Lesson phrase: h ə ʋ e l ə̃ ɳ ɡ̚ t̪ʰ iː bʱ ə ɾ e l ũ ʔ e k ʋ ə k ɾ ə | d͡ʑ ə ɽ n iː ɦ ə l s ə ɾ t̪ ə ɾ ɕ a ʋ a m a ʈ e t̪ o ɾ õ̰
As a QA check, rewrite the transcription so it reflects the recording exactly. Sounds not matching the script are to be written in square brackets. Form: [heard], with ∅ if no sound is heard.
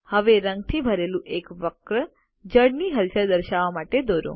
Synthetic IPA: h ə ʋ e [ɾ] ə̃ [ŋ] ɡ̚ t̪ʰ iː bʱ ə ɾ e l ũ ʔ e k ʋ ə k ɾ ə | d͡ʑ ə ɽ n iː ɦ ə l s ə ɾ [d̪] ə ɾ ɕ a ʋ a m a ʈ e [d̪] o ɾ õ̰